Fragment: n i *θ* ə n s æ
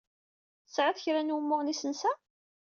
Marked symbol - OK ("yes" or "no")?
no